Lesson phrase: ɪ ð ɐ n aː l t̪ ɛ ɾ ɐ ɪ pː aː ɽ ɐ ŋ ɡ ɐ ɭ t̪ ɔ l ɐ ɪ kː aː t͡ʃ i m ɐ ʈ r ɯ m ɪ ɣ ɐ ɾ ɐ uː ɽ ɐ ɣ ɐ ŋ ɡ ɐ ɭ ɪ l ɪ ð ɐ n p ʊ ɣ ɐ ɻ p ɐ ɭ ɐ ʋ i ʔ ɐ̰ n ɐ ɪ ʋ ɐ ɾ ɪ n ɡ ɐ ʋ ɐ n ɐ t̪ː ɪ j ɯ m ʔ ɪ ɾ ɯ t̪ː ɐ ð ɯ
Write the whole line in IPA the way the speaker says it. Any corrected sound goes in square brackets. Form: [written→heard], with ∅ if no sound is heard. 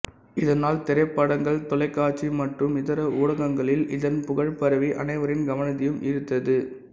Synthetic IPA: ɪ ð ɐ n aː l t̪ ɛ ɾ ɐ ɪ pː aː ɽ ɐ ŋ ɡ ɐ ɭ t̪ ɔ l ɐ ɪ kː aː t͡ʃ i m ɐ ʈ r ɯ m ɪ [ɣ→ð] ɐ ɾ ɐ uː ɽ ɐ ɣ ɐ ŋ ɡ ɐ ɭ ɪ l ɪ ð ɐ n p ʊ ɣ ɐ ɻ p ɐ [ɭ→ɾ] ɐ ʋ i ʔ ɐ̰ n ɐ ɪ ʋ ɐ ɾ ɪ n ɡ ɐ ʋ ɐ n ɐ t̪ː ɪ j ɯ m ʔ ɪ ɾ ɯ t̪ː ɐ ð ɯ